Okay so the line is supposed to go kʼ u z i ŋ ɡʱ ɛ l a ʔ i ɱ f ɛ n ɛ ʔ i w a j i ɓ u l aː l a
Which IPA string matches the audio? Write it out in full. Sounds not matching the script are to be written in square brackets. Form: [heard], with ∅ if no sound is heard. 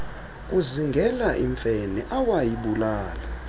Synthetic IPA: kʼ u z i ŋ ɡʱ ɛ l a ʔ i ɱ f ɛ n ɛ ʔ [a] w a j i ɓ u l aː l a